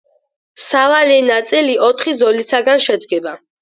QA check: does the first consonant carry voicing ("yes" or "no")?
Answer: no